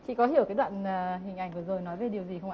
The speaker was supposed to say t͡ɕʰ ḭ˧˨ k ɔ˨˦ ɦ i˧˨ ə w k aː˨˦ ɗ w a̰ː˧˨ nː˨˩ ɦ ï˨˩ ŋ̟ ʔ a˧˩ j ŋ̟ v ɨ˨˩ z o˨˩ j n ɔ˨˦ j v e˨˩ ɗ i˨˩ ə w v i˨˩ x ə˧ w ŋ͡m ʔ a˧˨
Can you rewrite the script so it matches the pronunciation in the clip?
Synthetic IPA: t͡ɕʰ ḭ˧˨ k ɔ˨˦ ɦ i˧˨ ə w k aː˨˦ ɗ w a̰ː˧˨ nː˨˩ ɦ ï˨˩ ŋ̟ ʔ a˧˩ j ŋ̟ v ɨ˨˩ z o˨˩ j n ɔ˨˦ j v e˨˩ ɗ i˨˩ ə w z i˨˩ x ə˧ w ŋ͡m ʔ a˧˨

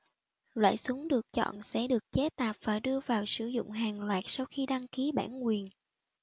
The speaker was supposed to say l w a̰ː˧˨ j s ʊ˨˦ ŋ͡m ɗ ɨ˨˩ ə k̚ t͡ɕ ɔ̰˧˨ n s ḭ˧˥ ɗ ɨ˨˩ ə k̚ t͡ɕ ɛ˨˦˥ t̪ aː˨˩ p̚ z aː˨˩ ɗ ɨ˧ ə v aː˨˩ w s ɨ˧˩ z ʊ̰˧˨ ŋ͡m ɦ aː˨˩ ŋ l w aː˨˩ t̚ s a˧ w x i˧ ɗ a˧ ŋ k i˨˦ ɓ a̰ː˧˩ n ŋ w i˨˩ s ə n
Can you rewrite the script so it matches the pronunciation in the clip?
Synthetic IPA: l w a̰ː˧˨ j s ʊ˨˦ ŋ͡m ɗ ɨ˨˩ ə k̚ t͡ɕ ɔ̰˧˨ n s ɛ̰˧˥ ɗ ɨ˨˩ ə k̚ t͡ɕ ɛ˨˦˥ t̪ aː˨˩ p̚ v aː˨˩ ɗ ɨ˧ ə v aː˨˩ w s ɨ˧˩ z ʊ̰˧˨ ŋ͡m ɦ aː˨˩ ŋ l w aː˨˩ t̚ s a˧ w x i˧ ɗ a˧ ŋ k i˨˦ ɓ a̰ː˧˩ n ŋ w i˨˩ ə n

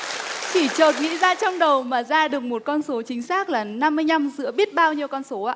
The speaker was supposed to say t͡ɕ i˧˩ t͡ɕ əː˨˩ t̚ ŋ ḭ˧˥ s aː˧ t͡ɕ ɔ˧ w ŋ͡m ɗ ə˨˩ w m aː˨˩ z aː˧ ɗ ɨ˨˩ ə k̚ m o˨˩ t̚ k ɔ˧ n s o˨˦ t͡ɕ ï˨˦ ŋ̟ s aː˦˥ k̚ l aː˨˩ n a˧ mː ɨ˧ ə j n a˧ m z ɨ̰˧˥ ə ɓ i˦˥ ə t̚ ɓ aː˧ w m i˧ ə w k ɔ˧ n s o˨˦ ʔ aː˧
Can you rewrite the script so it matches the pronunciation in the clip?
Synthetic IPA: t͡ɕ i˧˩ t͡ɕ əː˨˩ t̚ ŋ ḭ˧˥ z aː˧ t͡ɕ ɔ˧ w ŋ͡m ɗ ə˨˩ w m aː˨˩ z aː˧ ɗ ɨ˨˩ ə k̚ m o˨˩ t̚ k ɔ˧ n s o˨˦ t͡ɕ ï˨˦ ŋ̟ s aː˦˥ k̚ l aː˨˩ n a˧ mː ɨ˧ ə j n a˧ m z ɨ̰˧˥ ə ɓ i˦˥ ə t̚ ɓ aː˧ w ɲ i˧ ə w k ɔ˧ n s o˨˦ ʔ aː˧

